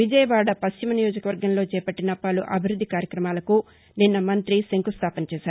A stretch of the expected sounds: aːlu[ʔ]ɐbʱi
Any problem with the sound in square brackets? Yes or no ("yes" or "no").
no